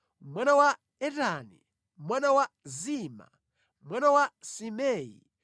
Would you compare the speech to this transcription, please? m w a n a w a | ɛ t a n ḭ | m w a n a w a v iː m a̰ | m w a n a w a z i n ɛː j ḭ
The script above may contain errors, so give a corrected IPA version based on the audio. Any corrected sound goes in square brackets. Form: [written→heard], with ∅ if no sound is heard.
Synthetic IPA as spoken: m w a n a w a | ɛ t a n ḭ | m w a n a w a [v→z] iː m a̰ | m w a n a w a [z→s] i [n→m] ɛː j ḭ